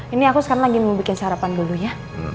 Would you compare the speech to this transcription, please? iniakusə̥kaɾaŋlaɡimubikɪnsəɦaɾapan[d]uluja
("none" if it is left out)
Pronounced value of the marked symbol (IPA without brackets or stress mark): d